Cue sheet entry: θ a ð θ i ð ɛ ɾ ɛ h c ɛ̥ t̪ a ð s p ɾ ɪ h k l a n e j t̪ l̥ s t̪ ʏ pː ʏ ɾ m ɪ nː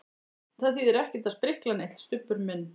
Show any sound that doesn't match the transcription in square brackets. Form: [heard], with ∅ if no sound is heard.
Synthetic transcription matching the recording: θ a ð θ i ð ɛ ɾ ɛ h c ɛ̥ t̪ a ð s p ɾ ɪ h k l a n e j t̪ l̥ s t̪ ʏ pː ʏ ɾ m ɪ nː